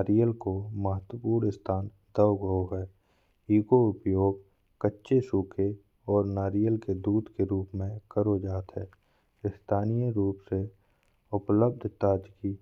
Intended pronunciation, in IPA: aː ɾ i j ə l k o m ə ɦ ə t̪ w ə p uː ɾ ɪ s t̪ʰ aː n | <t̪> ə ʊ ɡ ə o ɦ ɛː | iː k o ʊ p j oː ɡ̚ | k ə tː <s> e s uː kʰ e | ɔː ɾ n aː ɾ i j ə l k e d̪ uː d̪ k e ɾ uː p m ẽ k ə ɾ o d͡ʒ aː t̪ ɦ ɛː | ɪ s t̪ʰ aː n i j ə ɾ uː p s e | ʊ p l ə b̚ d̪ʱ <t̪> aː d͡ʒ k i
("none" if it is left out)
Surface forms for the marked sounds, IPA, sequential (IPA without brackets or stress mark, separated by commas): d̪, ʃ, t̪